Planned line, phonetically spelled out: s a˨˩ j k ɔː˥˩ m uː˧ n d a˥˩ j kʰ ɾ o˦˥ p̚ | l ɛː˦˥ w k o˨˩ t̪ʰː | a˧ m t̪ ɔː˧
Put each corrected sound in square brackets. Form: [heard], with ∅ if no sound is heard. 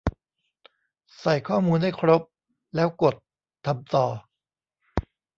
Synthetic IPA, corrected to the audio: s a˨˩ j [kʰ] ɔː˥˩ m uː˧ n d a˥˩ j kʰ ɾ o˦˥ p̚ | l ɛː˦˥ w k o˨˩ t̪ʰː | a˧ m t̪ ɔː˧